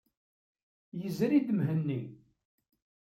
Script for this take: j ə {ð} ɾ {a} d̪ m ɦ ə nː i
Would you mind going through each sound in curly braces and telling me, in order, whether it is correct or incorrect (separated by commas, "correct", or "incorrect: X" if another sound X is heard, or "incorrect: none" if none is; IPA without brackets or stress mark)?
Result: incorrect: z, incorrect: i